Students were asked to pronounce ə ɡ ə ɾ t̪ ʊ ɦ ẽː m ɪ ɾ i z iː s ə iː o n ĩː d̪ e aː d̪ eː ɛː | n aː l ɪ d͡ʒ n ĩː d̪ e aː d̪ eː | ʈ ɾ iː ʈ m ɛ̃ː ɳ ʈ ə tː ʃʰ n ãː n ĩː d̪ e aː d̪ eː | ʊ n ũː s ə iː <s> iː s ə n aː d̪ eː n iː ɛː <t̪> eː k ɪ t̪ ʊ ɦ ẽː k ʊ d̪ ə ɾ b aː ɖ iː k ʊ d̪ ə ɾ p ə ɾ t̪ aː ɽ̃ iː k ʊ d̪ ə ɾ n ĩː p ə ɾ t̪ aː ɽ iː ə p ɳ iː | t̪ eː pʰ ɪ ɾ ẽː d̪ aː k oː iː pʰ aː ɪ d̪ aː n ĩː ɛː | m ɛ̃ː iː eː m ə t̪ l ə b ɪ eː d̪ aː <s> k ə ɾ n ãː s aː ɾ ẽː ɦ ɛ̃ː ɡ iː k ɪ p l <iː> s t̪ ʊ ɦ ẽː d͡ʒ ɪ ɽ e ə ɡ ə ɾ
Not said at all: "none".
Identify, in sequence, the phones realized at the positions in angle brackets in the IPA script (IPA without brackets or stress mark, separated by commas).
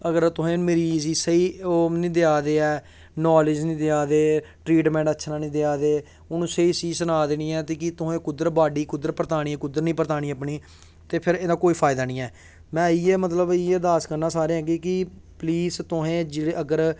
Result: s, t̪, s, iː